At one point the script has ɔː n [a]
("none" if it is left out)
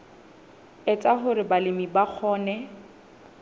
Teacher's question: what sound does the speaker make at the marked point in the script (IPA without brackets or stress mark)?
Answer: ɛ